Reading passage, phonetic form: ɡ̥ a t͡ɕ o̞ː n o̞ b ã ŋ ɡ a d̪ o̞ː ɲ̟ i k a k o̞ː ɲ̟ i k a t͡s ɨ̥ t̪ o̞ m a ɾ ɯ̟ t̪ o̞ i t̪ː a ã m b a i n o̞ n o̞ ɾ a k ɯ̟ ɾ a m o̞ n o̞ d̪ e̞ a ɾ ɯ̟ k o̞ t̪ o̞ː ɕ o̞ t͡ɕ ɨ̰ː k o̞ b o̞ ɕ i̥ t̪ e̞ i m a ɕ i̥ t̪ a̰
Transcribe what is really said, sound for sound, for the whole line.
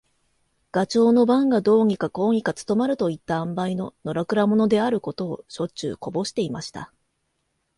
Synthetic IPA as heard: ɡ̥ a t͡ɕ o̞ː n o̞ b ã ŋ ɡ a d̪ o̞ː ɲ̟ i k a k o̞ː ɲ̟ i k a t͡s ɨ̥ t̪ o̞ m a ɾ ɯ̟ t̪ o̞ i t̪ː a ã m b a i n o̞ n o̞ ɾ a k ɯ̟ ɾ a m o̞ n o̞ d̪ e̞ a ɾ ɯ̟ k o̞ t̪ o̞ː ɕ o̞ t͡ɕ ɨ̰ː k o̞ b o̞ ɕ i̥ t̪ e̞ i m a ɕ i̥ t̪ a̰